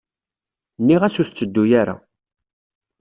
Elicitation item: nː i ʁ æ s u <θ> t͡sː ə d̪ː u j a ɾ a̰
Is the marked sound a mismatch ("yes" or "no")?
no